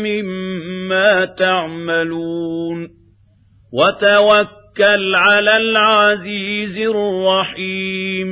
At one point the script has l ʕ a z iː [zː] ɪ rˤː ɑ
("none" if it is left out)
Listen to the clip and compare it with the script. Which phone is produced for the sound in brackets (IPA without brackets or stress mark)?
z